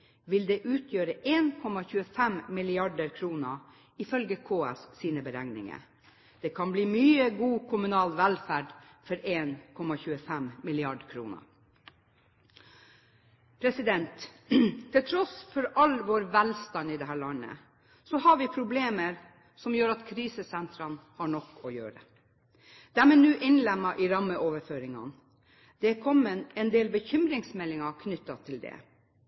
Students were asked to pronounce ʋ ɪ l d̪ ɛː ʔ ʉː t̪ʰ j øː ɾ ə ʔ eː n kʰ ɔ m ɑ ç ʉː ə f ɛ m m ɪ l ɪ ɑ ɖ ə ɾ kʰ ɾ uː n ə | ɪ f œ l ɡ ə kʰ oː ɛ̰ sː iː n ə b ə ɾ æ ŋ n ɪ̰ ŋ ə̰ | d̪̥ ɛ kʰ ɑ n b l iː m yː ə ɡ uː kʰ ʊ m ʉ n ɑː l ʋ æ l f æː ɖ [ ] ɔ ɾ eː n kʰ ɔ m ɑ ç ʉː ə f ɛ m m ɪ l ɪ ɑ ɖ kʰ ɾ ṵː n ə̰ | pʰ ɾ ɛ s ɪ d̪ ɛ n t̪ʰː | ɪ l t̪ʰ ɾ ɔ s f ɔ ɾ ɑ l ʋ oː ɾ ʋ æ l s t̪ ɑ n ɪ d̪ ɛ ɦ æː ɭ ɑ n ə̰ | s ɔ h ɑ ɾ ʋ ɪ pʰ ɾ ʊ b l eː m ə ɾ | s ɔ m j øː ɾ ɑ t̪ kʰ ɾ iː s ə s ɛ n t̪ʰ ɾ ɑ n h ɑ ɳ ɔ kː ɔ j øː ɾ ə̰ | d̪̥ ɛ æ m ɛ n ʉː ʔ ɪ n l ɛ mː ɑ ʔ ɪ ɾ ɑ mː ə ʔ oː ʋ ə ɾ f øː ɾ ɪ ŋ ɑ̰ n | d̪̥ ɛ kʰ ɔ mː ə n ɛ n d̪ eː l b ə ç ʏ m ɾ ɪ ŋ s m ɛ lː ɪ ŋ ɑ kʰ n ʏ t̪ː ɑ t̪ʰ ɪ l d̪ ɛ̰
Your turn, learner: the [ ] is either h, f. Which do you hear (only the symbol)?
f